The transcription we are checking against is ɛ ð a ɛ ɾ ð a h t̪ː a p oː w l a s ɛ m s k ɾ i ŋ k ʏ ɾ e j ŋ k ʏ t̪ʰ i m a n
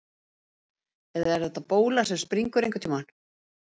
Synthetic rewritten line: ɛ ð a ɛ ɾ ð ɛ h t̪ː a p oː w l a s ɛ m s p ɾ i ŋ k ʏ ɾ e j ŋ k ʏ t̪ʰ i m a n